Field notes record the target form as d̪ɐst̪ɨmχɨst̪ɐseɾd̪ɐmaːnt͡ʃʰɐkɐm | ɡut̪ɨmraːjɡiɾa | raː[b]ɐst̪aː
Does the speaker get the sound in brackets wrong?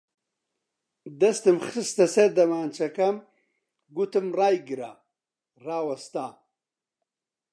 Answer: yes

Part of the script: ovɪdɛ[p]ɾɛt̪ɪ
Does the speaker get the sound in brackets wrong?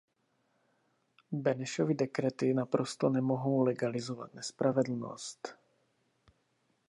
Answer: yes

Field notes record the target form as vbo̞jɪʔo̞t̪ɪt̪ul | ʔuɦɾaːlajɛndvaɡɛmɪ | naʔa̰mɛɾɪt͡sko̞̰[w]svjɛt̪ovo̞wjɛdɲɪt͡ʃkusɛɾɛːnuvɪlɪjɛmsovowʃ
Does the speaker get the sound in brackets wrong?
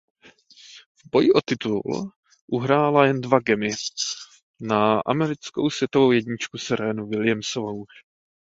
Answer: no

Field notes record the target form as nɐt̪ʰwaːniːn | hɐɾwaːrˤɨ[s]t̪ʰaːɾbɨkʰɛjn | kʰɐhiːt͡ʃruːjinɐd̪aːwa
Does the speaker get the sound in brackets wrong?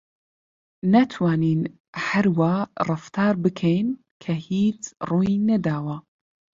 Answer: yes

